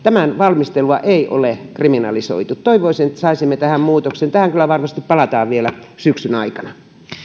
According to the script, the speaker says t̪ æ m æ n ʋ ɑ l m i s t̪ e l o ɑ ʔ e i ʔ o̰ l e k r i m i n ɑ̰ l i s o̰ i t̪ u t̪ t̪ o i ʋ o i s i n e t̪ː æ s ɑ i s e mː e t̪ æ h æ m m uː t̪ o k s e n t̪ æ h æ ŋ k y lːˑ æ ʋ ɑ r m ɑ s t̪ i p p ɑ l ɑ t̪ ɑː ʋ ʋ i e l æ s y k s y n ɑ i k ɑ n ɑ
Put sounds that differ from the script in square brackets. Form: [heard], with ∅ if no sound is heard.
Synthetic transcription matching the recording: t̪ æ m æ n ʋ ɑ l m i s t̪ e l [u] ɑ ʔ e i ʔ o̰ l e k r i m i n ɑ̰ l i s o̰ i t̪ u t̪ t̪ o i ʋ o i s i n e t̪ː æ s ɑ i s [i] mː e t̪ æ h æ m m uː t̪ o k s e n t̪ æ h æ ŋ k y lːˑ æ ʋ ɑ r m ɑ s t̪ i p p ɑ l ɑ t̪ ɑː ʋ ʋ i e l æ s y k s y n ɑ i k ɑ n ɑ